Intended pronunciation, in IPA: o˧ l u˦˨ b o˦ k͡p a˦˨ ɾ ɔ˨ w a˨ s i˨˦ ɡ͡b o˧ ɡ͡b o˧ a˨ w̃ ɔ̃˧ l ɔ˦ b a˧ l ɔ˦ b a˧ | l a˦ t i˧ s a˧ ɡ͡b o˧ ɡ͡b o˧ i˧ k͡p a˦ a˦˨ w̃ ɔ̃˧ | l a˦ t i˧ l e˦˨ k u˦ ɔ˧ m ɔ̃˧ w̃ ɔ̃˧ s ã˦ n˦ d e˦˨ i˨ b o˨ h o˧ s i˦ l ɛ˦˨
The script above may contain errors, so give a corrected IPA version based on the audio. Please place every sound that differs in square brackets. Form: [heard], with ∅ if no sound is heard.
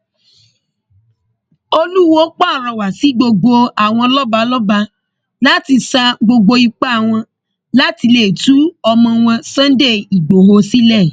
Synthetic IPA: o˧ l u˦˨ [w] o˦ k͡p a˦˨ ɾ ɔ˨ w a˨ s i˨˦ ɡ͡b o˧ ɡ͡b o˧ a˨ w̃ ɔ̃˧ l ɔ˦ b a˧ l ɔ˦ b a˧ | l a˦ t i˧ s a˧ ɡ͡b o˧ ɡ͡b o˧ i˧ k͡p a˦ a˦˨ w̃ ɔ̃˧ | l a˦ t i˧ l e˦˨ [t] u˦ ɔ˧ m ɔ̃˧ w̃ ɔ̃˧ s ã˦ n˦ d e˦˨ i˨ [ɡ͡b] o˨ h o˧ s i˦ l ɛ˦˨